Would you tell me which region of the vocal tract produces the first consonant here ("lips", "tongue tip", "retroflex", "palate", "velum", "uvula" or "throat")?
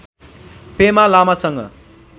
lips